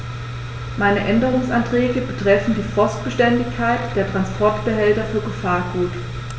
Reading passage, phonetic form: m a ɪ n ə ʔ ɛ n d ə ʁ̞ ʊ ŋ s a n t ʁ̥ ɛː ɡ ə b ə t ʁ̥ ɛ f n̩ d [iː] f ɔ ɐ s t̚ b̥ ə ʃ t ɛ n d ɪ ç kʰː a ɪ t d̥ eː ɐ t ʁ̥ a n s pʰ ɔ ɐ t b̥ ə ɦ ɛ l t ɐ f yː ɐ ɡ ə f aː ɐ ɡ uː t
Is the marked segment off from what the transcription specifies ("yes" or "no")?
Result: no